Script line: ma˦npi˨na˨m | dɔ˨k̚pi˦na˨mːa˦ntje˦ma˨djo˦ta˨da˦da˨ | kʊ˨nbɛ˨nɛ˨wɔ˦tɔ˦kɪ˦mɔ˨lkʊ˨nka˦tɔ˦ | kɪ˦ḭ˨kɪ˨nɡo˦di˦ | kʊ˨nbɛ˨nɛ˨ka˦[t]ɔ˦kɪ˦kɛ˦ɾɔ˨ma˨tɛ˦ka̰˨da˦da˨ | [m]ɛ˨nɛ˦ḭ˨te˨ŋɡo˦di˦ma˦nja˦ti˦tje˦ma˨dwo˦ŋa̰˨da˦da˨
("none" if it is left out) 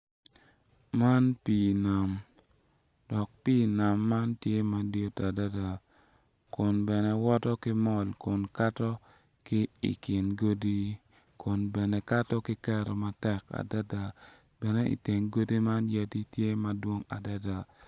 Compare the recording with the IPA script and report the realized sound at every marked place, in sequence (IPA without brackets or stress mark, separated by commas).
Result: t, b